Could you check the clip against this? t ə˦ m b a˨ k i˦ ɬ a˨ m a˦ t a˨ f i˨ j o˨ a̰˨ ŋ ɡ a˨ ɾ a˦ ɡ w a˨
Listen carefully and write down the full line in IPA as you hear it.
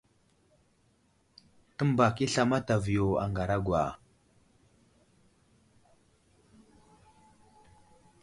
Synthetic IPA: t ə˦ m b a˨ k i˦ ɬ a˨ m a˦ t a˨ v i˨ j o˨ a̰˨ ŋ ɡ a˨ ɾ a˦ ɡ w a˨